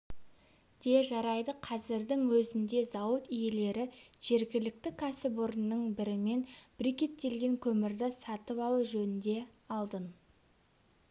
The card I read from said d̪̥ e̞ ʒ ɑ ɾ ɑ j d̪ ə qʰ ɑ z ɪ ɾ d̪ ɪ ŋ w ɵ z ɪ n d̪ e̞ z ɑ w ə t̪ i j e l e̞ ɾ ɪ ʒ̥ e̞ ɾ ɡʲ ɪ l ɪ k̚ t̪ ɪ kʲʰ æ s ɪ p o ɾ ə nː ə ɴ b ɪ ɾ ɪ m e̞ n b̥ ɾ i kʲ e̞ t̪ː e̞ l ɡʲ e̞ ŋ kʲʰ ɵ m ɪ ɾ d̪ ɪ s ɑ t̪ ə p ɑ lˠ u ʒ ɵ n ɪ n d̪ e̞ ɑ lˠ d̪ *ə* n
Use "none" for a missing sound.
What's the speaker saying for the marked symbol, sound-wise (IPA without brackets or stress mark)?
ə